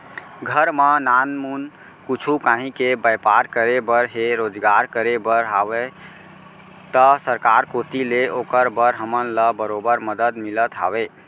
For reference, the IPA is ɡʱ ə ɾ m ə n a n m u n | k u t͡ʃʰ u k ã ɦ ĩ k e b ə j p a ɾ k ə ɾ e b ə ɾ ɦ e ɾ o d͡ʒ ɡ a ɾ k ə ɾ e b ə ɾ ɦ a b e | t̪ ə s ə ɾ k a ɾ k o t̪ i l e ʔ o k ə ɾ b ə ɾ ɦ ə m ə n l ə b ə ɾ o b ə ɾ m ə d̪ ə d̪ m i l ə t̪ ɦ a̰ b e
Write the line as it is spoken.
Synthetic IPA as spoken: ɡʱ ə ɾ m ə n a n m u n | k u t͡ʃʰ u k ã ɦ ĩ k e b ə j p a ɾ k ə ɾ e b ə ɾ ɦ e ɾ o d͡ʒ ɡ a ɾ k ə ɾ e b ə ɾ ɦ a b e | t̪ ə s ə ɾ k a ɾ k o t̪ i l e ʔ o k ə ɾ b ə ɾ ɦ ə m ə n l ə b ə ɾ o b ə ɾ m ə d̪ ə d̪ m i l ə t̪ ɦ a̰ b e